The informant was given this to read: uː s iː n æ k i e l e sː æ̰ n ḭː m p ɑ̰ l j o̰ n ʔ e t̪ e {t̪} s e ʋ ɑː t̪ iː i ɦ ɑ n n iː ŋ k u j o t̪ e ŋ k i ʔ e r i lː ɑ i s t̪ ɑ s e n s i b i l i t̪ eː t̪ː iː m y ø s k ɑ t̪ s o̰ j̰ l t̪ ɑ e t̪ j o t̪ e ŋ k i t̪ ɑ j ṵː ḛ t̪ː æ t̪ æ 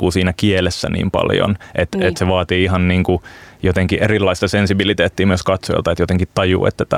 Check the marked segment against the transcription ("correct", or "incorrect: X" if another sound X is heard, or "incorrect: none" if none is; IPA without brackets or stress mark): correct